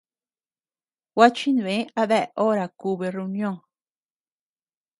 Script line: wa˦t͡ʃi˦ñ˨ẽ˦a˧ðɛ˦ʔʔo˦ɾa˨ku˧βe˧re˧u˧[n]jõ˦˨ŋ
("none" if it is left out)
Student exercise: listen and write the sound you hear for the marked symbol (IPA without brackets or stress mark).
n